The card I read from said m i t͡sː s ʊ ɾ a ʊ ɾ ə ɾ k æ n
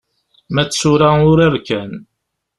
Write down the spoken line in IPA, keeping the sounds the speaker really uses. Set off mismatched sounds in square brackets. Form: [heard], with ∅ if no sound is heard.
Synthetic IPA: m [æ] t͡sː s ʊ ɾ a ʊ ɾ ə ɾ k æ n